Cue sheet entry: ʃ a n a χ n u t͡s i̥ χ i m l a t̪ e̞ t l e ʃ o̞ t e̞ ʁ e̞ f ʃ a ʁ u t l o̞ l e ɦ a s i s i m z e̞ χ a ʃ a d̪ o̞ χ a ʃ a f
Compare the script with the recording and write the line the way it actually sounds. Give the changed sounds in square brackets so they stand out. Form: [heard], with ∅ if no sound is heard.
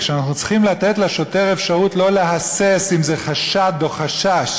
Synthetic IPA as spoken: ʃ a n a χ n u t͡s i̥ χ i m l a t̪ e̞ t l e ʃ o̞ t e̞ ʁ e̞ f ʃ a ʁ u t l o̞ l e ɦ a s [e] s i m z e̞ χ a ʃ a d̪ o̞ χ a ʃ a [ʃ]